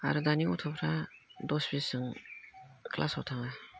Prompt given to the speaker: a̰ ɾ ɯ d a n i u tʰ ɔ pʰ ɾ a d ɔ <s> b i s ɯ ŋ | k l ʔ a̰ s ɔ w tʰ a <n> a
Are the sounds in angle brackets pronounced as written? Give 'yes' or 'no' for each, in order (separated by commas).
yes, no